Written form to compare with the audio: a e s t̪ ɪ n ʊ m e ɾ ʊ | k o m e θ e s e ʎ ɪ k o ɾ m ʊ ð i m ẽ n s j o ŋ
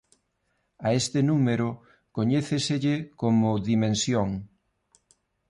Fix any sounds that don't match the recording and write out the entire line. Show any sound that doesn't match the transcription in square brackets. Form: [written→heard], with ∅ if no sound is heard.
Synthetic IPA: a e s t̪ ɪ n [ʊ→u] m e ɾ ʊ | k o [m→ɲ] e θ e s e ʎ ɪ k o [ɾ→∅] m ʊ ð i m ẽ n s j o ŋ